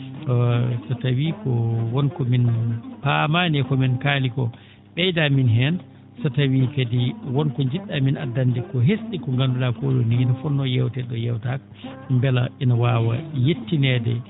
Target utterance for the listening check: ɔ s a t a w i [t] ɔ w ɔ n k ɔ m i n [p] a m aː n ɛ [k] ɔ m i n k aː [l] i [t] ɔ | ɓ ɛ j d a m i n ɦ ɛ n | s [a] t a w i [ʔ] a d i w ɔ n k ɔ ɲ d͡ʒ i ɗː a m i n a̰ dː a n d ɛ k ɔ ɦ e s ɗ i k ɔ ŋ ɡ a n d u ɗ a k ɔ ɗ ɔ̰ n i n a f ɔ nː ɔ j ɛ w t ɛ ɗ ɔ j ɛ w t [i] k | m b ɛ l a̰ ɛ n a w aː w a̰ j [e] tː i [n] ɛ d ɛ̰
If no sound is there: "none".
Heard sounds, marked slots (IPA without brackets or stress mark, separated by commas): k, p, k, l, k, a, k, a, e, n